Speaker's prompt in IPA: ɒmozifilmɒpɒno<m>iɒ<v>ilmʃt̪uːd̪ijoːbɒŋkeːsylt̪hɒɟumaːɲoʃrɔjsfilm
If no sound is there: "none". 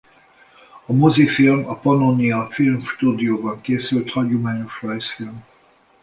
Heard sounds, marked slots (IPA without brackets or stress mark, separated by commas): n, f